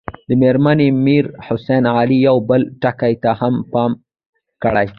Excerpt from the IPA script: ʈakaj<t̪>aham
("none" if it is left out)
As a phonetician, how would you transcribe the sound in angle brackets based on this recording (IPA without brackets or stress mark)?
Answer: t̪